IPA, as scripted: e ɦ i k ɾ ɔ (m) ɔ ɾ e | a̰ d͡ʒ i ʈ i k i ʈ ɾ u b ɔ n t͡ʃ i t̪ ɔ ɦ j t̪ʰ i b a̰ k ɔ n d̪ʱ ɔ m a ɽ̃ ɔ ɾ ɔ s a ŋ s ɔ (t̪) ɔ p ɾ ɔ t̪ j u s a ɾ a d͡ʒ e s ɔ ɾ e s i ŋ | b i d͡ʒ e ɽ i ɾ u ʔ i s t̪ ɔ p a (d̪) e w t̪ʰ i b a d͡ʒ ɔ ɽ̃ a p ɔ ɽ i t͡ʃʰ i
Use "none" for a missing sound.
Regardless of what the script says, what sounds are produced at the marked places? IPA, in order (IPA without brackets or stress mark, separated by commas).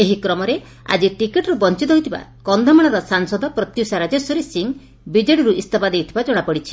m, d̪, d̪